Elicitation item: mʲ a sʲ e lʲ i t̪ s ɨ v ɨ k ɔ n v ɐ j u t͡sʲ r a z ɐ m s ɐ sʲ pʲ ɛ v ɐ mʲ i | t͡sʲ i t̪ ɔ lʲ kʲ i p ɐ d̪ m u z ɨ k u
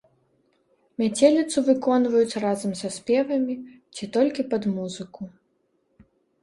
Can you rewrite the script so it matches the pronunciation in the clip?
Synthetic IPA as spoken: mʲ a t͡sʲ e lʲ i t̪ s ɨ v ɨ k ɔ n v ɐ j u t͡sʲ r a z ɐ m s ɐ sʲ pʲ ɛ v ɐ mʲ i | t͡sʲ i t̪ ɔ lʲ kʲ i p ɐ d̪ m u z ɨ k u